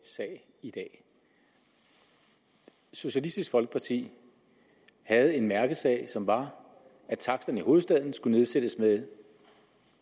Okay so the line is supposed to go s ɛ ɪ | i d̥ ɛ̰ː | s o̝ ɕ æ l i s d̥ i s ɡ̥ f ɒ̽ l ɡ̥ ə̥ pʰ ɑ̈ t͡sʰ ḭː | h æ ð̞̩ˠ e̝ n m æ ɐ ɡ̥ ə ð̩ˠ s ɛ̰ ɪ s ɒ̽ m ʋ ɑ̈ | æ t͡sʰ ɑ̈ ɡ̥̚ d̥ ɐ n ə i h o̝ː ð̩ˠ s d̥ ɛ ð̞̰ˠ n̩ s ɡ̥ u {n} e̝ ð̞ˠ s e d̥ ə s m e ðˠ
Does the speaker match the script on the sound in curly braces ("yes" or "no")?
yes